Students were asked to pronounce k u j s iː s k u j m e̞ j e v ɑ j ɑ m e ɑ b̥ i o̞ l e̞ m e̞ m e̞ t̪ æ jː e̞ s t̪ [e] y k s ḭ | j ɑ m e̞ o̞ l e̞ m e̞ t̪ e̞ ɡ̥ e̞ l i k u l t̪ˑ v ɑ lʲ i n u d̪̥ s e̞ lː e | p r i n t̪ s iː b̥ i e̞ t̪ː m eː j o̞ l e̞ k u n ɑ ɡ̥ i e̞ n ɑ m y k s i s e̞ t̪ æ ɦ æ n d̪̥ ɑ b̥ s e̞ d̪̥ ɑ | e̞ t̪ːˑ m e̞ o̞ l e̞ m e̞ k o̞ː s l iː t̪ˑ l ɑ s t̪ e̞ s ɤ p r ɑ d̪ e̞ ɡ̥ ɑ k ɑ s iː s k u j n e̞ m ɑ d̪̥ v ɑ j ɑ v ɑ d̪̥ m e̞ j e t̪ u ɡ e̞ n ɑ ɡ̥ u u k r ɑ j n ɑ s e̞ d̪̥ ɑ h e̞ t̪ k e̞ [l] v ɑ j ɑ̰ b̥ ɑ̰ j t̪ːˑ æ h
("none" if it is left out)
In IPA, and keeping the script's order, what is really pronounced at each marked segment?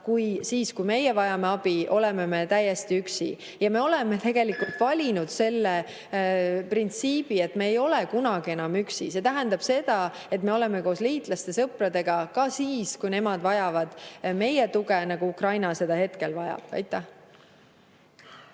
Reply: i, l

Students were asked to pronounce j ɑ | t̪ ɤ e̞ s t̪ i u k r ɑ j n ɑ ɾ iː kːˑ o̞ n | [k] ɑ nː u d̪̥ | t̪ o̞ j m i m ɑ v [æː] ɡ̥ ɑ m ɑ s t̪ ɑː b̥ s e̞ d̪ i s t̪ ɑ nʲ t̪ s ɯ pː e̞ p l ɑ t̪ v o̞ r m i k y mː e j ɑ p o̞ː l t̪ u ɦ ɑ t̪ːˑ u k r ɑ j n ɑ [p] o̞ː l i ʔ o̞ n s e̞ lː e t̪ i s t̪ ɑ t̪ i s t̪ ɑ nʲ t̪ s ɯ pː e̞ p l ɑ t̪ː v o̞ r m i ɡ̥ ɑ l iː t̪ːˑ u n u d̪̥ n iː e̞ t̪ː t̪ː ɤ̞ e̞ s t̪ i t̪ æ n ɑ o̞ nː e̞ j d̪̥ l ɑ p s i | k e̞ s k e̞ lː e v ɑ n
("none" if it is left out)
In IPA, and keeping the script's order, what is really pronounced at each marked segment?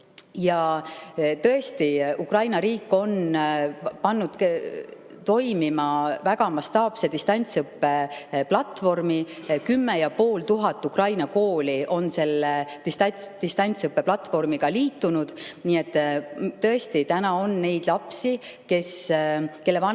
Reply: p, æ, k

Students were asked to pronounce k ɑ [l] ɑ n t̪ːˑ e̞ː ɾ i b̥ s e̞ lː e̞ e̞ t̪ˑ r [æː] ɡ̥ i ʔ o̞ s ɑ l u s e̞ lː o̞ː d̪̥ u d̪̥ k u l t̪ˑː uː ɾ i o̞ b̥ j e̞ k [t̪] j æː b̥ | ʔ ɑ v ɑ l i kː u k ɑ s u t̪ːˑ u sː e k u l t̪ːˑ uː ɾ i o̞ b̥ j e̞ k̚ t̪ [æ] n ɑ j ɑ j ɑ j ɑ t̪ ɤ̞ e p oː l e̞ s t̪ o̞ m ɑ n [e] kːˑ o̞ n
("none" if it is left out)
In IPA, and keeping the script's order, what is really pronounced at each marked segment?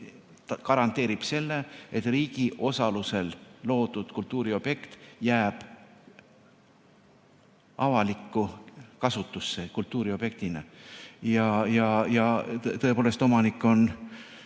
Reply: ɾ, iː, t̪, i, i

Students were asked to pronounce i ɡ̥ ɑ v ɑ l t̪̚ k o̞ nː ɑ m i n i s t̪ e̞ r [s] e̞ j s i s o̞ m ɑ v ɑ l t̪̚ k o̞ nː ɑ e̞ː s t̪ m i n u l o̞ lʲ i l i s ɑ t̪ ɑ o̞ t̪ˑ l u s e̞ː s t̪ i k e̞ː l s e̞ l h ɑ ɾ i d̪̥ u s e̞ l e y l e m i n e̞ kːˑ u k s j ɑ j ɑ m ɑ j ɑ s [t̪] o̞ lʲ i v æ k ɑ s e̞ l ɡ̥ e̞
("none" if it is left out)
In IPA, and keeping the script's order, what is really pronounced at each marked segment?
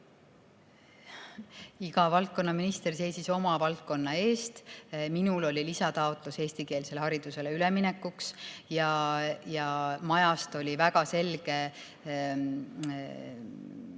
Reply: s, t̪

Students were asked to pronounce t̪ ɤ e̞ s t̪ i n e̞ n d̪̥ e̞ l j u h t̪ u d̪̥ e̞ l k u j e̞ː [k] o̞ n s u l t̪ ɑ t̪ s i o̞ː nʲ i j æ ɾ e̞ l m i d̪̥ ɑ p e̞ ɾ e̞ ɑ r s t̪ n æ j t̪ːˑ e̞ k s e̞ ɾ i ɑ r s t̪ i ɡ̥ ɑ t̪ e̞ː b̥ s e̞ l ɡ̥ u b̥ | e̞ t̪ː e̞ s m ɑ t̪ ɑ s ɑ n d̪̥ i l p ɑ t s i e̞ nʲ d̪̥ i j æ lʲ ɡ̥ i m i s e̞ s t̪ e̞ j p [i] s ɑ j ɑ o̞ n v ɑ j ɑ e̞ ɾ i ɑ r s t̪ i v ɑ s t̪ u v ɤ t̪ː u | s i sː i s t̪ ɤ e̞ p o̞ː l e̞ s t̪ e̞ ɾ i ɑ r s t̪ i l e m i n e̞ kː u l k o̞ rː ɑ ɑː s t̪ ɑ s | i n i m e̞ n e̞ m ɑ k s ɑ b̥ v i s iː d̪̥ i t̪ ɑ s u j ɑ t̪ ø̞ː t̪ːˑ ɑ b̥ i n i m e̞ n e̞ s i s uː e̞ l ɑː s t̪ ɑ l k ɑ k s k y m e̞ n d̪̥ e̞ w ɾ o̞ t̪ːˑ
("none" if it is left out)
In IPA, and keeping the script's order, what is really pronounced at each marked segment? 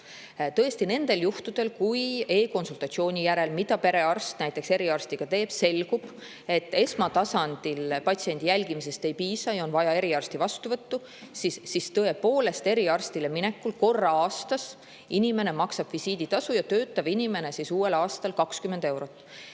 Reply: k, iː

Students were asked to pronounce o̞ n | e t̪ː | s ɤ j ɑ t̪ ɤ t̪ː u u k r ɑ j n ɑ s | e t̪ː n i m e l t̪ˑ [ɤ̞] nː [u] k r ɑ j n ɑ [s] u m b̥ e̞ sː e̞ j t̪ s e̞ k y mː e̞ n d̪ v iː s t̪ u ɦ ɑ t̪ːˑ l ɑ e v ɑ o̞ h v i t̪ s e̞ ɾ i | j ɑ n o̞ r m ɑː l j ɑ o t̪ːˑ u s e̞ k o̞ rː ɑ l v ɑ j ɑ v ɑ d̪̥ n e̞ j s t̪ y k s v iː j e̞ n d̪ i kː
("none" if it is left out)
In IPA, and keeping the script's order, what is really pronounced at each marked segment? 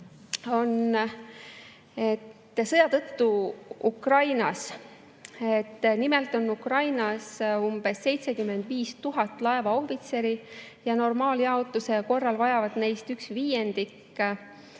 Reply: o̞, u, s

